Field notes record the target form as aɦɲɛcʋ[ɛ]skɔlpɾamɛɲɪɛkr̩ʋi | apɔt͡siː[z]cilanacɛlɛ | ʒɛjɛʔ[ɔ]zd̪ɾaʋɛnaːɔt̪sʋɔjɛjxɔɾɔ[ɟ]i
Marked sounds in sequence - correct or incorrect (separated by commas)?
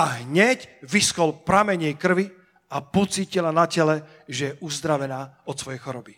incorrect, incorrect, incorrect, incorrect